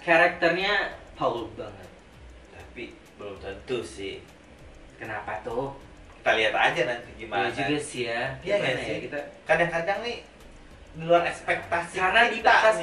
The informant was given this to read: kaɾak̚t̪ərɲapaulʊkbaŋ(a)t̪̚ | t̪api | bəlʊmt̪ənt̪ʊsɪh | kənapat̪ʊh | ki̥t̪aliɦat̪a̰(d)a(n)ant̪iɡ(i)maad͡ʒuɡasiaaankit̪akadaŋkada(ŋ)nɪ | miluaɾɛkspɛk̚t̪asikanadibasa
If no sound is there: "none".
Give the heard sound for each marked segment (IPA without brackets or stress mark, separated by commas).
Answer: ə, d͡ʒ, n, i, ŋ